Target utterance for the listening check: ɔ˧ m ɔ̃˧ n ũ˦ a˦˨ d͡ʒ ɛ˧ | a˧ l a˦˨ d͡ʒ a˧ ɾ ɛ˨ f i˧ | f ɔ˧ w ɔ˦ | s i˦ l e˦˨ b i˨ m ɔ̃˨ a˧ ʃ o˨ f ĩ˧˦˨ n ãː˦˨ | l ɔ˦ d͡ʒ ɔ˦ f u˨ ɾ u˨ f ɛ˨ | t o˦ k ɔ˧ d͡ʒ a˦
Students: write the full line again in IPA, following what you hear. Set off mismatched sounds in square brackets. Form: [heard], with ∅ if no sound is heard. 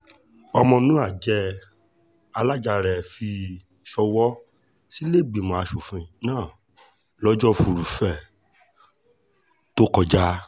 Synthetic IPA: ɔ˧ m ɔ̃˧ n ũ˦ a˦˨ d͡ʒ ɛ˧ | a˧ l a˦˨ d͡ʒ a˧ ɾ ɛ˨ f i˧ | [ʃ] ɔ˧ w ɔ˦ | s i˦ l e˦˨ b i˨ m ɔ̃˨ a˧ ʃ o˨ f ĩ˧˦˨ n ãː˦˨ | l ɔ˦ d͡ʒ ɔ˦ f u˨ ɾ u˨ f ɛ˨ | t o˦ k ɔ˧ d͡ʒ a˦